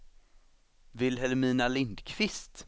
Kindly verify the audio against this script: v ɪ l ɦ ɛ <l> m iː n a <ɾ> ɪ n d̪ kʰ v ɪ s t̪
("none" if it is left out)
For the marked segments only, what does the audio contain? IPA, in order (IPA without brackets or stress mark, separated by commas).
l, l